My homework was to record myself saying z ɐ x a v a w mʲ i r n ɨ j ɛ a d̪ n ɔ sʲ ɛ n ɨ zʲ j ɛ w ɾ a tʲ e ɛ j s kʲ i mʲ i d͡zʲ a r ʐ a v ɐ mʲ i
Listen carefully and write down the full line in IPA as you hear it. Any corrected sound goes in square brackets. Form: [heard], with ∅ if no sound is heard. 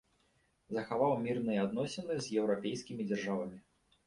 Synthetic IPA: z ɐ x a v a w mʲ i r n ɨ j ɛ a d̪ n ɔ sʲ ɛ n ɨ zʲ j ɛ w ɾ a [pʲ] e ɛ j s kʲ i mʲ i d͡zʲ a r ʐ a v ɐ mʲ i